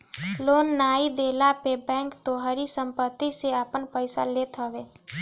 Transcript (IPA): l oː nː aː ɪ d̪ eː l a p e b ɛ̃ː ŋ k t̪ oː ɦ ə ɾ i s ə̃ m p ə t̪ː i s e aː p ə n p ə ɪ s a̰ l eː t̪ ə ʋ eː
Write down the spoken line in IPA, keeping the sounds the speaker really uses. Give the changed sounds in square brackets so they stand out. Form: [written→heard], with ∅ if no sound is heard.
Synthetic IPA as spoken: l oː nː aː [ɪ→i] d̪ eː l a p e b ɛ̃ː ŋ k t̪ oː ɦ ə ɾ i s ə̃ m p ə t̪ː i s e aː p ə n p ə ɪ s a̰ l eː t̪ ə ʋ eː